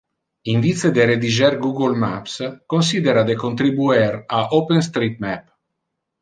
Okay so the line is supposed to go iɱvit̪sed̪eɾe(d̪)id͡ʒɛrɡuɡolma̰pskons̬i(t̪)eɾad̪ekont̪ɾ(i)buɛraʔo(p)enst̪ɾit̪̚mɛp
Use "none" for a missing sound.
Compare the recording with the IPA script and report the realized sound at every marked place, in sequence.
d̪, d̪, i, p

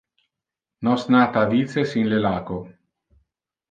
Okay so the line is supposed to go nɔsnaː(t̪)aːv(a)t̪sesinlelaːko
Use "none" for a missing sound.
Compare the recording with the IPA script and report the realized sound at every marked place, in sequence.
t̪, i

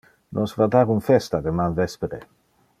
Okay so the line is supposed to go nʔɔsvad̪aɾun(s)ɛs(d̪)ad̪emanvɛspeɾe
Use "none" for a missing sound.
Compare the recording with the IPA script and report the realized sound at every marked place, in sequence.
f, t̪

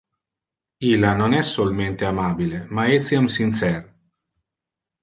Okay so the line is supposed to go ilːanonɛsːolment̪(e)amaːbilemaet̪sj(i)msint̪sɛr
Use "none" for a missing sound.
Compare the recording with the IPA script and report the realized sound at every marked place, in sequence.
e, a

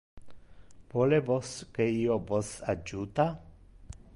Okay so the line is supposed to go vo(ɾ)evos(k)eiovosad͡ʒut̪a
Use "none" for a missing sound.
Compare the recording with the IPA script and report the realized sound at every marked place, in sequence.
l, k

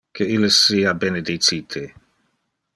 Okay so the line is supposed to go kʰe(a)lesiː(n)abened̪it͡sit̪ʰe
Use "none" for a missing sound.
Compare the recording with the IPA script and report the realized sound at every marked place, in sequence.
i, none

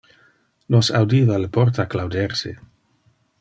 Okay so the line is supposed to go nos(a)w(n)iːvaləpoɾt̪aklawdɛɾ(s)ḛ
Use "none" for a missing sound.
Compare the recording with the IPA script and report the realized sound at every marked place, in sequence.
a, d, s

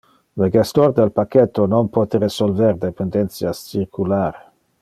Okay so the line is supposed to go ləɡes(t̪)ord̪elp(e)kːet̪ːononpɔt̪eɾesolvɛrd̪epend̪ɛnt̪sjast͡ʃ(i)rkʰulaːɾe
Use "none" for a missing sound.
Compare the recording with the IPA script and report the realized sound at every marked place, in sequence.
t̪, a, i

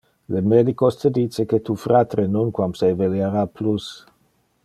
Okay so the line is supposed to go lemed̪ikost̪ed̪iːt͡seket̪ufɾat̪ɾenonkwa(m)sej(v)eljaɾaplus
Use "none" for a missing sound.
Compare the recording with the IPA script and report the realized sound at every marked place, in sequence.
m, v

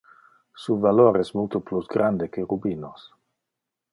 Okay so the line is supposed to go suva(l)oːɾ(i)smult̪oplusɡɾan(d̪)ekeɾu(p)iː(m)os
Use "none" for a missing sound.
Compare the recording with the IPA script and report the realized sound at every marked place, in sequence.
l, ɛ, d̪, b, n

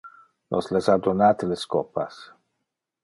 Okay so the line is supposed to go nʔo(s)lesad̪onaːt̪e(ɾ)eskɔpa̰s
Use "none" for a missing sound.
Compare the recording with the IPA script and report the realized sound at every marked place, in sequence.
s, l

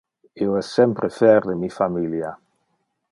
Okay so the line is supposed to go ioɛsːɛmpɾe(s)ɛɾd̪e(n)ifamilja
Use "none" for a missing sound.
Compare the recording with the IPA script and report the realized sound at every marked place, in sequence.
f, m

